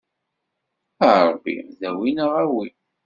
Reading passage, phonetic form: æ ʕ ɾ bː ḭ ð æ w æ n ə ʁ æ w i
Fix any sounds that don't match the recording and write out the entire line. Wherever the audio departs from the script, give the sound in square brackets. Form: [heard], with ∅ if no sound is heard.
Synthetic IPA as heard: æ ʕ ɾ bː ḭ ð æ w [i] n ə ʁ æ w i